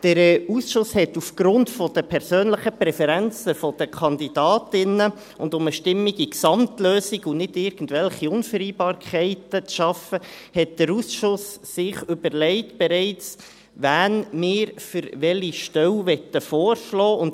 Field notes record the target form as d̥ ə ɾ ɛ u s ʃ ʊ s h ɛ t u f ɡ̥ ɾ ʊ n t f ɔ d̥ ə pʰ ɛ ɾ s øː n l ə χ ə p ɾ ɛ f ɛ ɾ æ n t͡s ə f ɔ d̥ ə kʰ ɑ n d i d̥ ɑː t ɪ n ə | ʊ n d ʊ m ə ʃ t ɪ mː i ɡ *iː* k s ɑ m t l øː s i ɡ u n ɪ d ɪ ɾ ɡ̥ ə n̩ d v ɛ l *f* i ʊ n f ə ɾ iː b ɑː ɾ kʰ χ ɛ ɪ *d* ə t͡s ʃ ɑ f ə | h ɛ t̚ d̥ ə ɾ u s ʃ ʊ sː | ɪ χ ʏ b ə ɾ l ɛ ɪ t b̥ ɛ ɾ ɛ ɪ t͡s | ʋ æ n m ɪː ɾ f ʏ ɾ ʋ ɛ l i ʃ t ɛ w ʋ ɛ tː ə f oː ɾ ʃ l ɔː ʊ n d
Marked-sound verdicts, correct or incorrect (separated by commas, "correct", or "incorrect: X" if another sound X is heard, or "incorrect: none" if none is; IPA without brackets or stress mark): incorrect: i, incorrect: χ, incorrect: t